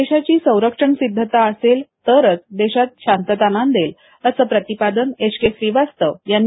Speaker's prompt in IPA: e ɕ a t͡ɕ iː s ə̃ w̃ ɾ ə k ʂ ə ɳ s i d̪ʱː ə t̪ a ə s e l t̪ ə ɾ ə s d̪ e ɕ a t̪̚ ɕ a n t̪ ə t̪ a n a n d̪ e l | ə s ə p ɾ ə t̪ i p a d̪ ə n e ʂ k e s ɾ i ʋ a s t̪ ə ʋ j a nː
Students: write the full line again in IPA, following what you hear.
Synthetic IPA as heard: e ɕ a t͡ɕ iː s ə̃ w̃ ɾ ə k ʂ ə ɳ s i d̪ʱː ə t̪ a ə s e l t̪ ə ɾ ə t͡s d̪ e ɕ a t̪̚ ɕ a n t̪ ə t̪ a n a n d̪ e l | ə s ə p ɾ ə t̪ i p a d̪ ə n e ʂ k e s ɾ i ʋ a s t̪ ə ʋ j a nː